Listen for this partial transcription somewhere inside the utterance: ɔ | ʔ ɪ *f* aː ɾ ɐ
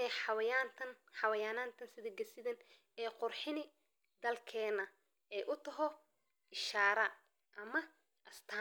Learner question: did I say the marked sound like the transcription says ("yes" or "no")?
no